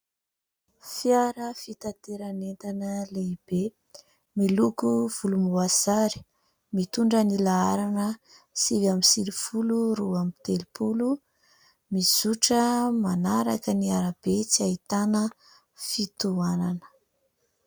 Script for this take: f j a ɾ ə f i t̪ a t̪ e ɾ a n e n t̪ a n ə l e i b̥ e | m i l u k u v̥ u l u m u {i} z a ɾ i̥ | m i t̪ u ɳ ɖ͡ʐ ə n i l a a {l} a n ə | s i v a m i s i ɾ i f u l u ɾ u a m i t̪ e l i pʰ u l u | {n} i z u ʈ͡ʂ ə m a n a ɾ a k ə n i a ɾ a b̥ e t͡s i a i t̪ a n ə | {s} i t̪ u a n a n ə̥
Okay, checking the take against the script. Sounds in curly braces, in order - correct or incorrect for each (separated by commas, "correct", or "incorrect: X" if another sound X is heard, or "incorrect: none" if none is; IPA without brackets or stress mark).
incorrect: a, incorrect: ɾ, incorrect: m, incorrect: f